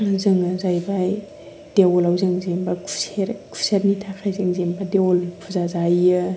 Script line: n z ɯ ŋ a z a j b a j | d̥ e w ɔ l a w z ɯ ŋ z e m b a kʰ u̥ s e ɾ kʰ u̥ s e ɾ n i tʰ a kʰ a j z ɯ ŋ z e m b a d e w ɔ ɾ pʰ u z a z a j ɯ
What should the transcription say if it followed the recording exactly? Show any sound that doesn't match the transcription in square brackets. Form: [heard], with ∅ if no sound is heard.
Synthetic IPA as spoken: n z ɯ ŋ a z a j b a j | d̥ e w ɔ l a w z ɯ ŋ z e m b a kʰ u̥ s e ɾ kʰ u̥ s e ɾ n i tʰ a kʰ a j z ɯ ŋ z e m b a d e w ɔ [l] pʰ u z a z a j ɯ